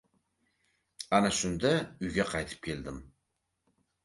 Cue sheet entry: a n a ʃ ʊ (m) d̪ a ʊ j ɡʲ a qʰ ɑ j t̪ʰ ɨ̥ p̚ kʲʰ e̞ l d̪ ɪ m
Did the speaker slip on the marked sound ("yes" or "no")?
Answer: yes